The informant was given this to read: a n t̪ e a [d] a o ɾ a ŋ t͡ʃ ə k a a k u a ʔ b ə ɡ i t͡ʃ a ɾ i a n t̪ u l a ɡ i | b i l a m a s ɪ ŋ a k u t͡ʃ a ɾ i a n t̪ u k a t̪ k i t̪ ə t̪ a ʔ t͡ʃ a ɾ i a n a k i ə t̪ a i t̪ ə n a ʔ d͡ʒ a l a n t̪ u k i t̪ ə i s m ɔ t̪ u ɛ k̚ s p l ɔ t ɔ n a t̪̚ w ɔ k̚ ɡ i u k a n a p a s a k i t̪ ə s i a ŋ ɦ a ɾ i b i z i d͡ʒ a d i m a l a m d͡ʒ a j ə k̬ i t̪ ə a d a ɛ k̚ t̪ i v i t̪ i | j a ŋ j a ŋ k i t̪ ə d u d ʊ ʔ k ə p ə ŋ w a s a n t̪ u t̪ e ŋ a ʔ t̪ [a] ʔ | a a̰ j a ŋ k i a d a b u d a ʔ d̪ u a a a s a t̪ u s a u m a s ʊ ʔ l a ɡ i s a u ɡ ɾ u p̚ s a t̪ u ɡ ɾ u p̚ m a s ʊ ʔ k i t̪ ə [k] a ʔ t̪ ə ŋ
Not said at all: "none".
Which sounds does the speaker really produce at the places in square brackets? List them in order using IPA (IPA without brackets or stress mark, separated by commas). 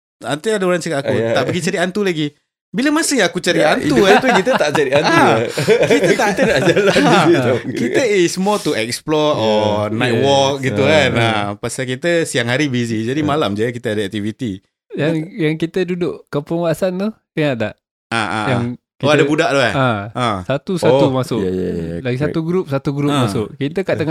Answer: d, a, k